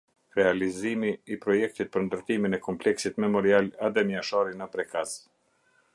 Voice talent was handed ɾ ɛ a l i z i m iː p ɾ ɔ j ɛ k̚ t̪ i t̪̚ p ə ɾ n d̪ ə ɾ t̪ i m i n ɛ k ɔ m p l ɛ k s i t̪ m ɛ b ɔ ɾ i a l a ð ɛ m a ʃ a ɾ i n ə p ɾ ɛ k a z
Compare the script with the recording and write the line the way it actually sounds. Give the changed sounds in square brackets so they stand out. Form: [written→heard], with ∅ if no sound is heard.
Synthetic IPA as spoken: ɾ ɛ a l i z i m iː p ɾ ɔ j ɛ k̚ t̪ i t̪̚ p ə ɾ n d̪ ə ɾ t̪ i m i n ɛ k ɔ m p l ɛ k s i t̪ m ɛ [b→m] ɔ ɾ i a l a ð ɛ m a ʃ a ɾ i n ə p ɾ ɛ k a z